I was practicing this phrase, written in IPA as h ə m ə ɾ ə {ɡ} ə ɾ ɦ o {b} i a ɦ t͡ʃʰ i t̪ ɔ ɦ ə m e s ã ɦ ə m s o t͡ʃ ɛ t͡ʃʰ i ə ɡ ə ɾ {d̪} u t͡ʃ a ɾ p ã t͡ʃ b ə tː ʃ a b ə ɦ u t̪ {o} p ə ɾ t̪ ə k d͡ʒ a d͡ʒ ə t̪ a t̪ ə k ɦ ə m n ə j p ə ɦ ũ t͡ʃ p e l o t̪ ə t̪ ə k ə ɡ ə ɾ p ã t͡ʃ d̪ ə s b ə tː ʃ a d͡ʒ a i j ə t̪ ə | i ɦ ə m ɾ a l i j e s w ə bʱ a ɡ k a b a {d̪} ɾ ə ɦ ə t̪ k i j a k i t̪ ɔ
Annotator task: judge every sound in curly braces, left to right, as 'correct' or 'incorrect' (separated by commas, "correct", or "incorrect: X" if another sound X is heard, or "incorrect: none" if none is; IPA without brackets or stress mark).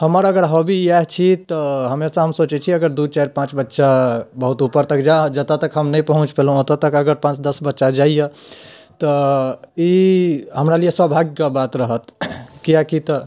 correct, correct, correct, incorrect: u, incorrect: t̪